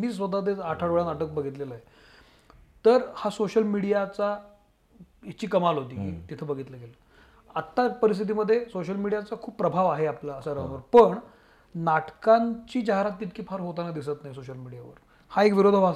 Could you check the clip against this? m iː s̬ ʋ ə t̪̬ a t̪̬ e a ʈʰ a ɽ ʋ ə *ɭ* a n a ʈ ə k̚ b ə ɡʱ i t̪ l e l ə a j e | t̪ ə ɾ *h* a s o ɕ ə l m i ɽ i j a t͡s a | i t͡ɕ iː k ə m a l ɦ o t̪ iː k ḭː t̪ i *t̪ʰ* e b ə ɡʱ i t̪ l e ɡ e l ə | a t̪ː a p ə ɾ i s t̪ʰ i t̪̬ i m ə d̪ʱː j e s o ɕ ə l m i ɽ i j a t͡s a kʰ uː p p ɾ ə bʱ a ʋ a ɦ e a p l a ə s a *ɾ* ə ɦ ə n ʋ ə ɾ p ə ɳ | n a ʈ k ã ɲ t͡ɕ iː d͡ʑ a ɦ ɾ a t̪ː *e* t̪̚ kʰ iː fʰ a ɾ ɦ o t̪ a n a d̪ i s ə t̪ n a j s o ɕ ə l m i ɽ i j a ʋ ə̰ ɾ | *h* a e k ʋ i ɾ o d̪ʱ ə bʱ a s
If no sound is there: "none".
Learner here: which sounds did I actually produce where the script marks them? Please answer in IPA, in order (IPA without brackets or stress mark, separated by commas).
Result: ɭ, h, t̪ʰ, ɾ, i, h